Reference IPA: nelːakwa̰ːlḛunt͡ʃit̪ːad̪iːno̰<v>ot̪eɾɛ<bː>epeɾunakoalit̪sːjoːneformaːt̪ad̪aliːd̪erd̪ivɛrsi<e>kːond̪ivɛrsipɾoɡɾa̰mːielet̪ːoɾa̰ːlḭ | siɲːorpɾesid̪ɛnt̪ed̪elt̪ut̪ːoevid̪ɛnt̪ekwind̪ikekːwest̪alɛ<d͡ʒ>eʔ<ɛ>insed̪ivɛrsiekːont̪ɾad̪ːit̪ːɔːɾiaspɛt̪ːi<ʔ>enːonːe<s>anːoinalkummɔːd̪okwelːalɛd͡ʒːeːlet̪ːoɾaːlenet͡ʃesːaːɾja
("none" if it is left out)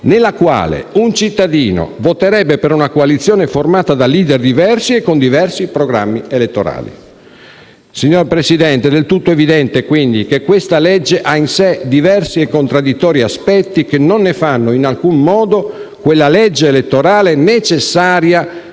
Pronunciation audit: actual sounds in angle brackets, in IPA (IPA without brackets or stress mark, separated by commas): v, bː, e, d͡ʒː, a, k, f